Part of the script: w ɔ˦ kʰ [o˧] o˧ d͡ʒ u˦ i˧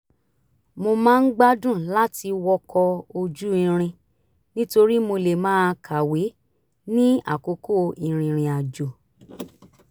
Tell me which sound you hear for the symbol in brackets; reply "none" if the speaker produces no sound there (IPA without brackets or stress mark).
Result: ɔ˧